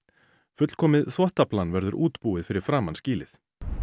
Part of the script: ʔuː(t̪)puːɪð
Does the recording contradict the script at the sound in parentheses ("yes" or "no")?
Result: no